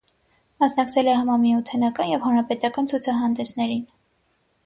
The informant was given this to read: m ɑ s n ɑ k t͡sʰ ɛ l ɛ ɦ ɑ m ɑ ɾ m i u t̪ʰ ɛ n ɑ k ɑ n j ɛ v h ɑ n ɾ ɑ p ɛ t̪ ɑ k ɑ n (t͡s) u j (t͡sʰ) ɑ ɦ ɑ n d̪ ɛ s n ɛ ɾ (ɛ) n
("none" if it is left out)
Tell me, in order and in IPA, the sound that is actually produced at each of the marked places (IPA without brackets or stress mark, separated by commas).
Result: t͡sʰ, t͡sʰ, i